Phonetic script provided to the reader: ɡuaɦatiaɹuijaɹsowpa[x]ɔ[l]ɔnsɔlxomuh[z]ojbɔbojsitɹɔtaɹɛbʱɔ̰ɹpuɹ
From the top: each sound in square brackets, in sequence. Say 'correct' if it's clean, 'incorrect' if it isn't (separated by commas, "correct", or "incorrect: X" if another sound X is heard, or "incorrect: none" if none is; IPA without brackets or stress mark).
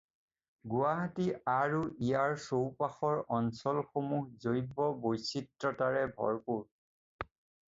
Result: correct, incorrect: ɹ, correct